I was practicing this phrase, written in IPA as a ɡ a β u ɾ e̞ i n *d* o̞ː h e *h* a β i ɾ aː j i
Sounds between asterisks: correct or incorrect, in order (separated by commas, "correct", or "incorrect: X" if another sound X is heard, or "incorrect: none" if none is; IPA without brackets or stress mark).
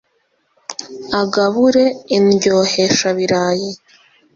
incorrect: ɟ, incorrect: ʃ